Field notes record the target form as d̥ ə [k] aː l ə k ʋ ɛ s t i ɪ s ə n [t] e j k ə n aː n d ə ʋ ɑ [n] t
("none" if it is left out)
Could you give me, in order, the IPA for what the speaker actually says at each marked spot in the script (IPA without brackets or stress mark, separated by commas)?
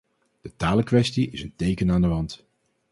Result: t, t, n